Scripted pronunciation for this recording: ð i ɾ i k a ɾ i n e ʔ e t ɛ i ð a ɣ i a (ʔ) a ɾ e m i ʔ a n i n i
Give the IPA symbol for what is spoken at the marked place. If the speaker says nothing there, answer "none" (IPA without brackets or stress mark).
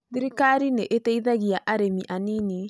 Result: ʔ